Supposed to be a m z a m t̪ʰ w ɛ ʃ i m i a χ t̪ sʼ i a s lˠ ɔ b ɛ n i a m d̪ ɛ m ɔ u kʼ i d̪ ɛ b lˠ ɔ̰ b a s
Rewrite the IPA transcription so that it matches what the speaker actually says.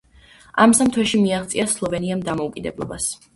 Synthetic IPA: a m s a m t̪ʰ w ɛ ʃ i m i a χ t̪ sʼ i a s lˠ ɔ v ɛ n i a m d̪ a m ɔ u kʼ i d̪ ɛ b lˠ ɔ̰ b a s

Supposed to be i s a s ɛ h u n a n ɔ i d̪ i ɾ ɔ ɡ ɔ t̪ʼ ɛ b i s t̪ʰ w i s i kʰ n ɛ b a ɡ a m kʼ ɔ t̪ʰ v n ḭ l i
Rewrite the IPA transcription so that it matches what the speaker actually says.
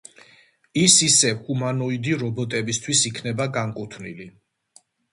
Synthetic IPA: i s i s ɛ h u m a n ɔ i d̪ i ɾ ɔ b ɔ t̪ʼ ɛ b i s t̪ʰ w i s i kʰ n ɛ b a ɡ a ŋ kʼ u t̪ʰ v n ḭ l i

